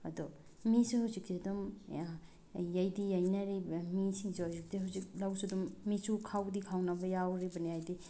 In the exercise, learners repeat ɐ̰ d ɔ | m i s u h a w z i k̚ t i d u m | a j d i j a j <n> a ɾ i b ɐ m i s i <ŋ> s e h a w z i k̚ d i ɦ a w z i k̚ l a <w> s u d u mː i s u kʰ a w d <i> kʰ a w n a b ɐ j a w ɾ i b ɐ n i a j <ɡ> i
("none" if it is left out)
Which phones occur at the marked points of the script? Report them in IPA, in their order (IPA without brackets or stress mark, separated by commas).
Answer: n, ŋ, w, i, d